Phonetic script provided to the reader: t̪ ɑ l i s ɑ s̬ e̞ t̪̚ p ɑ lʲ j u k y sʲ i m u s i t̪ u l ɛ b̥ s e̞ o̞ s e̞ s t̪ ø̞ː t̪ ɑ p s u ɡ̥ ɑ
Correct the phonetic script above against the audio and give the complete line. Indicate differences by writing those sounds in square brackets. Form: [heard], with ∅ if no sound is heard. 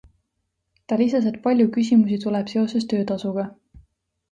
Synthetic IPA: t̪ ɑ l i s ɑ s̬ e̞ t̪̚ p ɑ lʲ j u k y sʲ i m u s i t̪ u l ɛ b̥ s e̞ o̞ s e̞ s t̪ ø̞ː t̪ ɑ [∅] s u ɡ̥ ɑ